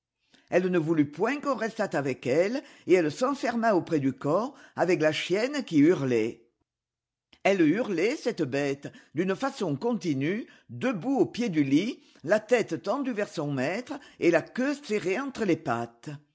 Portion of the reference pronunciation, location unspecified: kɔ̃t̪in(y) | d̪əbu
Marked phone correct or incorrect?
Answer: correct